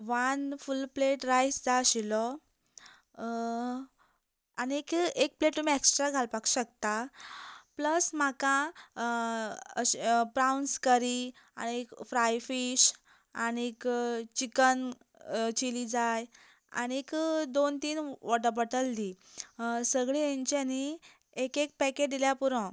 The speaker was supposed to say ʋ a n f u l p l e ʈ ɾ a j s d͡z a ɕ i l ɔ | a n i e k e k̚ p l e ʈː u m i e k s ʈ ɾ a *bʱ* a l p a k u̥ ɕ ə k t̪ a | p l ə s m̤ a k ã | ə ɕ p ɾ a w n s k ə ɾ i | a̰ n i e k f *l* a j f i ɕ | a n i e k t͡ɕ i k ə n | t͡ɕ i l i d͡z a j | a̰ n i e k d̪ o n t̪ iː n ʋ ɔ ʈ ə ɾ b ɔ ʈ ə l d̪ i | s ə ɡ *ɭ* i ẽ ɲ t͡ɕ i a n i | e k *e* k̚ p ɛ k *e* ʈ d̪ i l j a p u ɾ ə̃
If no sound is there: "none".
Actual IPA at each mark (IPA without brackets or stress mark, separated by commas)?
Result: ɡʱ, ɾ, ɭ, e, e